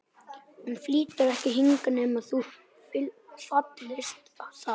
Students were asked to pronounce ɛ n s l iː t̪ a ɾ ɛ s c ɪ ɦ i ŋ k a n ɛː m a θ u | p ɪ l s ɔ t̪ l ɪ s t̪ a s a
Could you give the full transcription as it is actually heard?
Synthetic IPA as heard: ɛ n f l iː t̪ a ɾ ɛ h c ɪ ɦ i ŋ k a n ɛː m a θ u | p ɪ l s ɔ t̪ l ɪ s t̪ a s a